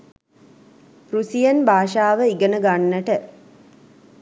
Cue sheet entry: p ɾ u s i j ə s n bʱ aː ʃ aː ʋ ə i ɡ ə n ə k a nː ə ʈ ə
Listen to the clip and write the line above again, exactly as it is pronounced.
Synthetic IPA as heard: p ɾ u s i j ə n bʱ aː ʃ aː ʋ ə i ɡ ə n ə ɡ a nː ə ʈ ə